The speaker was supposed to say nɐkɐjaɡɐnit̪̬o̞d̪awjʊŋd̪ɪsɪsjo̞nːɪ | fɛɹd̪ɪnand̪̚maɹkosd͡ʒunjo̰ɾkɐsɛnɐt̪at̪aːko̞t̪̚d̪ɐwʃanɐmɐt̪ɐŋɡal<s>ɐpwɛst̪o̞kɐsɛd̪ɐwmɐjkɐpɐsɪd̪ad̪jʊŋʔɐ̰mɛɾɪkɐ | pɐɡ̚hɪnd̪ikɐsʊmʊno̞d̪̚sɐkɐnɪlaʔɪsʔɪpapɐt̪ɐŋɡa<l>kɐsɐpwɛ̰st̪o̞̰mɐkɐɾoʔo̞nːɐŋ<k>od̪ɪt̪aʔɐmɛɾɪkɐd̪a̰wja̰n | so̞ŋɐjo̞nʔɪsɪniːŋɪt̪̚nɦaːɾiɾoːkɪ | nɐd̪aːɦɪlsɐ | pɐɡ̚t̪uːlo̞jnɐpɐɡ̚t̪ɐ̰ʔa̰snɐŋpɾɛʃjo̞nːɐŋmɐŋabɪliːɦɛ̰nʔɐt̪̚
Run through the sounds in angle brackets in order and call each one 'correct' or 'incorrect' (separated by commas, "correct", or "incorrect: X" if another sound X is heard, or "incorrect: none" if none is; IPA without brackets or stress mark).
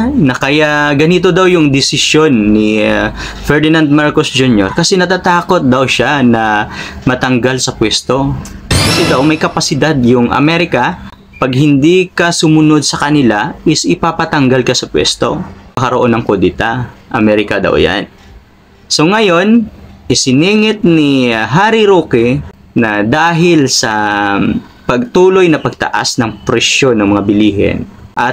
correct, correct, correct